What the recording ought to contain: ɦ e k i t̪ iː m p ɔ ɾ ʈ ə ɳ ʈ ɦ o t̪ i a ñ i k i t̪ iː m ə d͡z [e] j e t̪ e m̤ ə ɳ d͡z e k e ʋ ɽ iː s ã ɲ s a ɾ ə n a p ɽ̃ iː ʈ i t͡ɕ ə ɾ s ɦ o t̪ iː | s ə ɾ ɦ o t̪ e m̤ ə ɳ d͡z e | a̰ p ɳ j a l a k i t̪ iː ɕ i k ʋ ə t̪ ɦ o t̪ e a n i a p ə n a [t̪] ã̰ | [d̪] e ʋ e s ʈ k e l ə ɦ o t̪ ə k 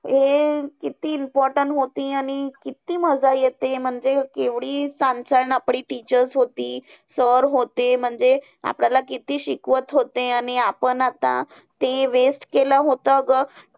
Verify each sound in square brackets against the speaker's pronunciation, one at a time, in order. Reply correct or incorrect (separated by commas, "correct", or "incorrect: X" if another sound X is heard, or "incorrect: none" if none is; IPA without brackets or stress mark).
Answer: incorrect: a, correct, incorrect: t̪